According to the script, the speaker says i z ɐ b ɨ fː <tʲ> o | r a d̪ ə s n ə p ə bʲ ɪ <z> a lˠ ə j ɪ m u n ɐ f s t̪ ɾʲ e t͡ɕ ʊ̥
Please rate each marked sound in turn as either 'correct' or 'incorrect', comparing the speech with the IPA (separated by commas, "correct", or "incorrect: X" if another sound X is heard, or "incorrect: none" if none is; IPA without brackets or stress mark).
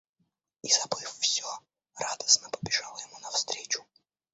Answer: incorrect: sʲ, incorrect: ʐ